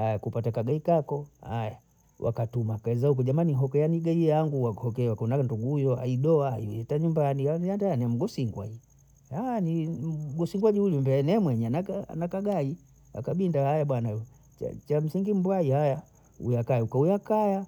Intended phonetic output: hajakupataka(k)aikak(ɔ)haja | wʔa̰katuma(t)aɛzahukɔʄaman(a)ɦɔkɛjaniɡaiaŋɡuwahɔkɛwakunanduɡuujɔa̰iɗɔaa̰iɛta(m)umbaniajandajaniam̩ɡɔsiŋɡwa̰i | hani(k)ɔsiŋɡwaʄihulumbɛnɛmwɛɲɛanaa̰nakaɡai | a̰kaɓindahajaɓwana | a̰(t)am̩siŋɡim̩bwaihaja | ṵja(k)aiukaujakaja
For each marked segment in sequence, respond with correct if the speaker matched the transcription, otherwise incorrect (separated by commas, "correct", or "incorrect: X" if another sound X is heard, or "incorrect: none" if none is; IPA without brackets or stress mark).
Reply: incorrect: ɡ, correct, incorrect: k, incorrect: i, incorrect: ɲ, incorrect: ɡ, incorrect: t͡ʃ, correct